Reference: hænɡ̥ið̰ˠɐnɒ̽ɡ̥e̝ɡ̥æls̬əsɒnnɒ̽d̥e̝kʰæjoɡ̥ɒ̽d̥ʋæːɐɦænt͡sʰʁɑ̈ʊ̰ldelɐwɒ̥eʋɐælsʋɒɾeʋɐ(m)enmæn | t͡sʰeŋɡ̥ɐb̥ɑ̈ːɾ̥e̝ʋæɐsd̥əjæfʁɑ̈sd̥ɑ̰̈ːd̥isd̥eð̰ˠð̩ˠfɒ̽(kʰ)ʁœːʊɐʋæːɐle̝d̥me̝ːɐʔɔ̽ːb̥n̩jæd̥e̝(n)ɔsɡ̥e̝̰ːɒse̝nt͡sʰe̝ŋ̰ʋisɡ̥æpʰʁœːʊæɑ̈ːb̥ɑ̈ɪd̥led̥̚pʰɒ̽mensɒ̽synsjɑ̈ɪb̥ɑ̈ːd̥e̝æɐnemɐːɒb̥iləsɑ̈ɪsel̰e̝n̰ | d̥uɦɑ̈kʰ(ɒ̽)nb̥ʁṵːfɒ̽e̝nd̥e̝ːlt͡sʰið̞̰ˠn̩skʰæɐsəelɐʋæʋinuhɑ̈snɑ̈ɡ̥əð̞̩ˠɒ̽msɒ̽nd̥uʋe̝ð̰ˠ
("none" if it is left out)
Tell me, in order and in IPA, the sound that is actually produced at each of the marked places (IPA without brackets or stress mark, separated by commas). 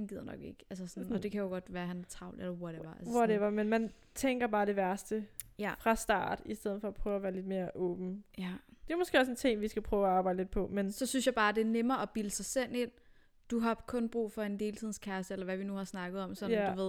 m, pʰ, m, ɔ̽